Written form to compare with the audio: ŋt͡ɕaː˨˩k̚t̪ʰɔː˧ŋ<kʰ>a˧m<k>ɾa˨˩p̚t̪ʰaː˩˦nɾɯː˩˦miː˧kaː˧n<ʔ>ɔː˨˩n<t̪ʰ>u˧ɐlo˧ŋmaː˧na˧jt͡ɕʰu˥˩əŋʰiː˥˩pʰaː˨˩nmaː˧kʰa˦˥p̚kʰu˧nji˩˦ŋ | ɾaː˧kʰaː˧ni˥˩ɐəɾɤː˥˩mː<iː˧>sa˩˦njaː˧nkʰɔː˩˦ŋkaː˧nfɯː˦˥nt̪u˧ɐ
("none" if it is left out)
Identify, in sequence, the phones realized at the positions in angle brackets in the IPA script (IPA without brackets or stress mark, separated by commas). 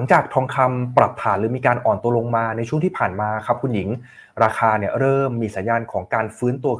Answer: kʰ, p, ʔ, t̪, iː˧